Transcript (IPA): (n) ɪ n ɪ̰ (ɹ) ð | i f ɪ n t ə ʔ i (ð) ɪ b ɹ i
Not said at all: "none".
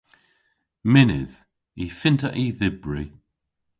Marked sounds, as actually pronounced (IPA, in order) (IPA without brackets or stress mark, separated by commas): m, none, ð